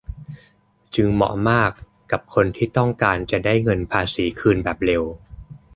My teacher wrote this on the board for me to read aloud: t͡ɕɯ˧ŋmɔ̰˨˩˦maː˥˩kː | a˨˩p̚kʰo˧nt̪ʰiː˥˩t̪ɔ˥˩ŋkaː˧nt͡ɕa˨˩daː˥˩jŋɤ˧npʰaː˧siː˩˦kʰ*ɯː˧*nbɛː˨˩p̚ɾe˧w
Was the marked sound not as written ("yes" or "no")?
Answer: no